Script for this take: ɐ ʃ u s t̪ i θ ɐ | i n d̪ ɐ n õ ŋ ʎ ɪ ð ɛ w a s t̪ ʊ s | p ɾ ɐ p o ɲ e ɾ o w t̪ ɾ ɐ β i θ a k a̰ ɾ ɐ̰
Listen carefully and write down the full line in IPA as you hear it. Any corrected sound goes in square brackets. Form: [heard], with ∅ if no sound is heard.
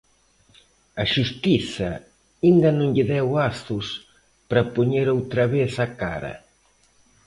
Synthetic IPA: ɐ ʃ u s t̪ i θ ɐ | i n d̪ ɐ n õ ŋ ʎ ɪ ð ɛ w a s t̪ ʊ s | p ɾ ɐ p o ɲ e ɾ o w t̪ ɾ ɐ β [e] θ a k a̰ ɾ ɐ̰